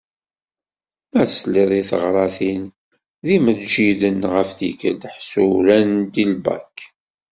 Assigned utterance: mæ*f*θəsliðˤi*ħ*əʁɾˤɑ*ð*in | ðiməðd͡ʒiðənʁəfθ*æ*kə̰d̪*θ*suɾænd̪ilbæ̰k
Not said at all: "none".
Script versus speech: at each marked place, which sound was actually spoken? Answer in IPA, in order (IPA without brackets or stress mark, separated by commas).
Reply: none, θ, θ, i, ħ